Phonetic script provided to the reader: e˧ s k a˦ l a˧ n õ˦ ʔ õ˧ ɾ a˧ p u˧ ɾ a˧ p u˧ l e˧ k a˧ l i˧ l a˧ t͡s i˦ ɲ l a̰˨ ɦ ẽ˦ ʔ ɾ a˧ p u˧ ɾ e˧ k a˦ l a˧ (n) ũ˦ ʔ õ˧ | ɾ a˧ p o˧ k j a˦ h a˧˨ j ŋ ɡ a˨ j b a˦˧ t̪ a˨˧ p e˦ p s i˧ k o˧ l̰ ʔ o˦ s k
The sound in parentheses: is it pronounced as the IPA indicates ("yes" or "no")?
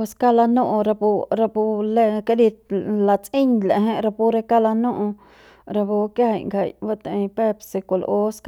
yes